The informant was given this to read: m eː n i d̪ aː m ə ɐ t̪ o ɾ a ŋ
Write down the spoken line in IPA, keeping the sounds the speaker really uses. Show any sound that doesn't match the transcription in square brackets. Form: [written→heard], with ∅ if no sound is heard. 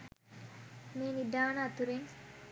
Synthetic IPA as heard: m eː n i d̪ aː [m→n] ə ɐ t̪ [o→u] ɾ [a→e] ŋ